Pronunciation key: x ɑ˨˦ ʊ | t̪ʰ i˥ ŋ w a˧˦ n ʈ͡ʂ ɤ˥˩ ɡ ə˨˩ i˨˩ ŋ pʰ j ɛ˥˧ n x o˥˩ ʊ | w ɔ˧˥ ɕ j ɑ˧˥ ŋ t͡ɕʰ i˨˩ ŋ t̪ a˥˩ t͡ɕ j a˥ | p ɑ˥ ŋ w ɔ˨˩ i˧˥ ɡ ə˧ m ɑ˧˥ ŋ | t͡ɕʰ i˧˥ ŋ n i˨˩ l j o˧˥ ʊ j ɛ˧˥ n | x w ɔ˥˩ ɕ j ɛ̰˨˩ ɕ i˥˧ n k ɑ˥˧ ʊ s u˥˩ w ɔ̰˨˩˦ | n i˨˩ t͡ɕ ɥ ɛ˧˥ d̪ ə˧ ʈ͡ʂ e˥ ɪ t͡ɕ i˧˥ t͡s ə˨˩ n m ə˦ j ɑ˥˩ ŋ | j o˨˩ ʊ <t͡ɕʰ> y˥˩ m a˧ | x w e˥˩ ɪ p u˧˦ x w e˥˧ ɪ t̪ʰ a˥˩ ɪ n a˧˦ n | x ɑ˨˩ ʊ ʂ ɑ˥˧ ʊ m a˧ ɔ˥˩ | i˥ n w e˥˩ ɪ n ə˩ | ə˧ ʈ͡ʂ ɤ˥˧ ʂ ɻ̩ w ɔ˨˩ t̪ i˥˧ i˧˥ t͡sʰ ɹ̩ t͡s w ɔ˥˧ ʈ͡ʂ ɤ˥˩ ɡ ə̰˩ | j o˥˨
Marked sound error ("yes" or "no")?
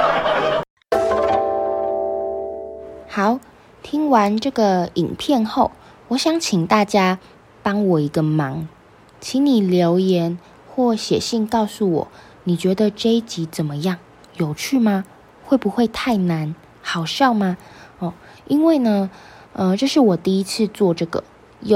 no